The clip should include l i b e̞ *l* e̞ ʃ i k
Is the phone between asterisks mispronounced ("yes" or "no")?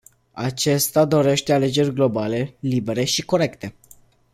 yes